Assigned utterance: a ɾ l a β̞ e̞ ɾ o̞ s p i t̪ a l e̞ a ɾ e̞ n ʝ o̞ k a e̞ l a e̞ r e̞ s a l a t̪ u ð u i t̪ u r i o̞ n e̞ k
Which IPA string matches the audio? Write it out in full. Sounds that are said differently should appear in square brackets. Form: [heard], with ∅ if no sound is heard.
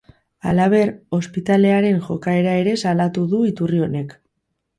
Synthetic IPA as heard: a [∅] l a β̞ e̞ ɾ o̞ s p i t̪ a l e̞ a ɾ e̞ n ʝ o̞ k a e̞ [ɾ] a e̞ [ɾ] e̞ s a l a t̪ u ð u i t̪ u r i o̞ n e̞ k